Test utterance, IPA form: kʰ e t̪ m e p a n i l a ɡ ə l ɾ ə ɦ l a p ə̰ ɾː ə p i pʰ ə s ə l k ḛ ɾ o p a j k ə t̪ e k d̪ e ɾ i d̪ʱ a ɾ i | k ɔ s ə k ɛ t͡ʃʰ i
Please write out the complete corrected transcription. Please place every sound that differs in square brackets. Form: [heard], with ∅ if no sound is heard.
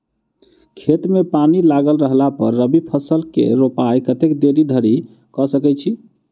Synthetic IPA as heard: kʰ e t̪ m e p a n i l a ɡ ə l ɾ ə ɦ l a p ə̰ ɾː ə [b] i pʰ ə s ə l k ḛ ɾ o p a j k ə t̪ e k d̪ e ɾ i d̪ʱ [ə] ɾ i | k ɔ s ə k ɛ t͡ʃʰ i